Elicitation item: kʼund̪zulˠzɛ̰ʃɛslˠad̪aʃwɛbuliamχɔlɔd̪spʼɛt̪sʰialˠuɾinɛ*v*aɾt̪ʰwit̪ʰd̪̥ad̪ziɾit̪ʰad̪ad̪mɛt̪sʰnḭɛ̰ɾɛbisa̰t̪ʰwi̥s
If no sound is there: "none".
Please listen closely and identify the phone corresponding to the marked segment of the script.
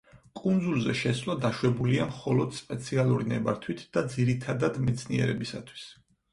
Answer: b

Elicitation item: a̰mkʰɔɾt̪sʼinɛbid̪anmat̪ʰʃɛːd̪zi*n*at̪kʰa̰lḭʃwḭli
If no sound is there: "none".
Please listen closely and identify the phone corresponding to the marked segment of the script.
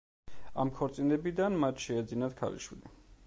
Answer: n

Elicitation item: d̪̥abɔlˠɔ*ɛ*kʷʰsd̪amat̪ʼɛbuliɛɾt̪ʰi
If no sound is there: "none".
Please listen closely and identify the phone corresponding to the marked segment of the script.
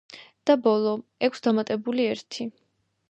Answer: ɛ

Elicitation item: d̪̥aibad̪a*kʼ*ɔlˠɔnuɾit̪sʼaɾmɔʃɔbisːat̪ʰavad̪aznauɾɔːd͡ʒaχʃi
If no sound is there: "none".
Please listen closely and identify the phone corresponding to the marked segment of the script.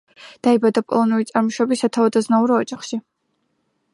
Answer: pʼ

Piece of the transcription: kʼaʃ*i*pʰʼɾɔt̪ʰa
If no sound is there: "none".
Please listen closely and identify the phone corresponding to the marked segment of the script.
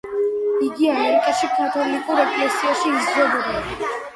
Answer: i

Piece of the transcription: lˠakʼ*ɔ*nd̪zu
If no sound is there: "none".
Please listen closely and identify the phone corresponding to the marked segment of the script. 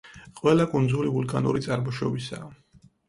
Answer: u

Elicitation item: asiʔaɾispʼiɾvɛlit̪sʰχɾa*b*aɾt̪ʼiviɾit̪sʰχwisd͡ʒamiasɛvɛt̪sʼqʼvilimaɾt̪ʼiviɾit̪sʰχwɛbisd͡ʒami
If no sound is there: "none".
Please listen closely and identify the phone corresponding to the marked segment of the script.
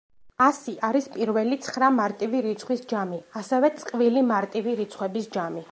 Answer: m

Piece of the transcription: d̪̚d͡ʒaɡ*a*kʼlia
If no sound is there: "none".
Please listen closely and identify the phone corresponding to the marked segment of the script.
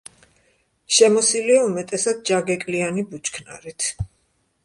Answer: ɛ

